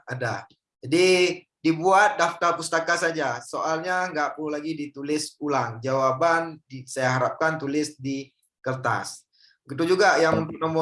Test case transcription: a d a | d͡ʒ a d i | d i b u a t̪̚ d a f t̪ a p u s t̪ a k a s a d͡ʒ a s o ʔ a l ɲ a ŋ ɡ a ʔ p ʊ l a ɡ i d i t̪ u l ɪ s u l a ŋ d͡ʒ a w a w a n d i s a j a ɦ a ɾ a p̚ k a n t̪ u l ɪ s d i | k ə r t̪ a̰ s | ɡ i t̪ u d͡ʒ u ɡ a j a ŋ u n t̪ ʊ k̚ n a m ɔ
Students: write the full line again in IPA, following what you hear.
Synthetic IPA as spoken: a d a | d͡ʒ a d i | d i b u a t̪̚ d a f t̪ a p u s t̪ a k a s a d͡ʒ a s o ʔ a l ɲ a ŋ ɡ a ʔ p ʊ l a ɡ i d i t̪ u l ɪ s u l a ŋ d͡ʒ a w a b a n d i s a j a ɦ a ɾ a p̚ k a n t̪ u l ɪ s d i | k ə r t̪ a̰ s | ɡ i t̪ u d͡ʒ u ɡ a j a ŋ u n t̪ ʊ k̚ n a m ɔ